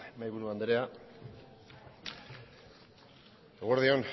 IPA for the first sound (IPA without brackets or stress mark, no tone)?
m